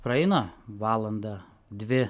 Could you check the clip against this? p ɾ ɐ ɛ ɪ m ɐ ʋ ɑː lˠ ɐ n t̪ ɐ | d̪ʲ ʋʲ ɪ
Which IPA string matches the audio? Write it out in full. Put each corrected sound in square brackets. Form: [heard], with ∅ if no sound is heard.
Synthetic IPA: p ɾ ɐ ɛ ɪ [n] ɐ ʋ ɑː lˠ ɐ n [d̪] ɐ | d̪ʲ ʋʲ ɪ